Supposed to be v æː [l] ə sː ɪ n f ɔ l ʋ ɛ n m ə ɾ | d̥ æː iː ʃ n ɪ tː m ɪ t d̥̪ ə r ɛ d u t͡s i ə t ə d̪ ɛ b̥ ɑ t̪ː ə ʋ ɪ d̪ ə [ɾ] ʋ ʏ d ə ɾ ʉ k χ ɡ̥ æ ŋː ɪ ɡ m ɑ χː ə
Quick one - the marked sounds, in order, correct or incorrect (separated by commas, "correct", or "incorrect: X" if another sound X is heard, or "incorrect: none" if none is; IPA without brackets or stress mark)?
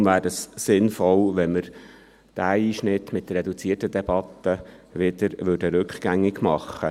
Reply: incorrect: ɾ, correct